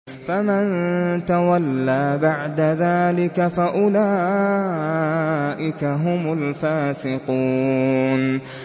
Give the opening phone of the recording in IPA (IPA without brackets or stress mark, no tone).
f